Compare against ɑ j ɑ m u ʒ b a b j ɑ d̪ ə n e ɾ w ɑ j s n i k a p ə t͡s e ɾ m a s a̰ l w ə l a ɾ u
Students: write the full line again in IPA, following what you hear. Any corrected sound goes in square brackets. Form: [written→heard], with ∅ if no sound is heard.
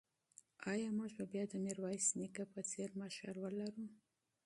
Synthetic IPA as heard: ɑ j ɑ m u ʒ b a b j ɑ d̪ ə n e ɾ w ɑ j s n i k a p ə t͡s e ɾ m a [s→ʃ] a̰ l w ə l a ɾ u

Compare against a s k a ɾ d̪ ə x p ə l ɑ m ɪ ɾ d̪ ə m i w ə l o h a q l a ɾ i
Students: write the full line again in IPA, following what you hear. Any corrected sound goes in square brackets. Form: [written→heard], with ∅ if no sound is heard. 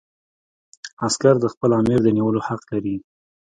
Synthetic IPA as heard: a s k a ɾ d̪ ə x p ə l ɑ m ɪ ɾ d̪ ə [m→n] i w ə l o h a q l a ɾ i

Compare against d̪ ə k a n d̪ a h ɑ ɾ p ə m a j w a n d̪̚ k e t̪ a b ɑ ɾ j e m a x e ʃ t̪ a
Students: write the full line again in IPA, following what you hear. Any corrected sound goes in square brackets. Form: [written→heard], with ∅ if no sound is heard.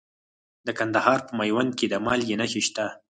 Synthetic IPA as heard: d̪ ə k a n d̪ a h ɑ ɾ p ə m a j w a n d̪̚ k e [t̪→d̪] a [b→m] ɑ [ɾ→l] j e [m→n] a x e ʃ t̪ a

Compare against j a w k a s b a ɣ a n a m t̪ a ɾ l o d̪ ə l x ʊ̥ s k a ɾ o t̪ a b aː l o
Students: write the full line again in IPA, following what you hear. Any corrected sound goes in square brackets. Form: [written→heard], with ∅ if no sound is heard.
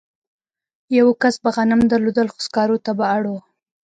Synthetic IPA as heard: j a w k a s b a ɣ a n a m [t̪→d̪] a ɾ l o d̪ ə l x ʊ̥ s k [a→ɑ] ɾ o t̪ a b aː [l→ɽ] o

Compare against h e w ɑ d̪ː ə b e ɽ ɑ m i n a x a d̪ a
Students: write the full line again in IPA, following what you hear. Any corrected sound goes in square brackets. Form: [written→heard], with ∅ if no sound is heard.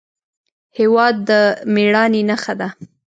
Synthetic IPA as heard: h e w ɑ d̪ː ə [b→m] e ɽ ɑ [m→n] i n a x a d̪ a

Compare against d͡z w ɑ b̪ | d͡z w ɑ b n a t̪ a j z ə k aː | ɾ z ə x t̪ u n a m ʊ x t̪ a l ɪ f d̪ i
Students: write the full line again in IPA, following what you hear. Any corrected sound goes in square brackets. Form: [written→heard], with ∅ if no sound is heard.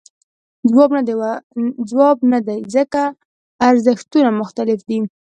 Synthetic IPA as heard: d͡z w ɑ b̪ | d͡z w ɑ b n a [t̪→d̪] a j z ə k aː | ɾ z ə x t̪ u n a m ʊ x t̪ a l ɪ f d̪ i

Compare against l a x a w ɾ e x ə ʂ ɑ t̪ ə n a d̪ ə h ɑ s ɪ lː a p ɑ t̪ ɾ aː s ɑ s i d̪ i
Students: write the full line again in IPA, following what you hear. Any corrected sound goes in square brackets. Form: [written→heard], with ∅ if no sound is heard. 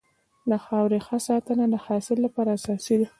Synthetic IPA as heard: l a x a w ɾ e x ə [ʂ→s] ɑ t̪ ə n a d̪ ə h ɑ s ɪ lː a p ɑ [t̪→∅] ɾ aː s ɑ s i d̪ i

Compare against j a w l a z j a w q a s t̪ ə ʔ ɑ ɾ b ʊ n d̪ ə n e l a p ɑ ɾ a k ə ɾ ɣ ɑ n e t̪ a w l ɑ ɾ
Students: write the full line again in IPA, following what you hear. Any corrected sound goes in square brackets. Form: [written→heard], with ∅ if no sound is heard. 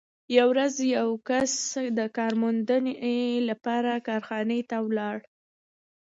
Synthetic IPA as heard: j a w [l→ɾ] a z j a w [q→k] a s [t̪→d̪] ə [ʔ→k] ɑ ɾ [b→m] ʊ n d̪ ə n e l a p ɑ ɾ a k [ə→ɑ] ɾ [ɣ→x] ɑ n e t̪ a w l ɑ [ɾ→ɽ]

